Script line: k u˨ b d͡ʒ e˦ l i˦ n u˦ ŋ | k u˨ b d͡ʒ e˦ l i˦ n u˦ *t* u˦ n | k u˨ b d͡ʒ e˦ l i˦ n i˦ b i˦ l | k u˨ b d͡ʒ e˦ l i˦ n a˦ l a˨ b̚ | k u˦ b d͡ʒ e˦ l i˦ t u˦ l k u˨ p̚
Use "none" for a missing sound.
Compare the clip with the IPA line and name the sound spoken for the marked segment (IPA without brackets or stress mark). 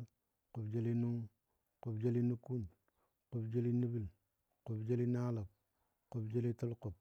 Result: k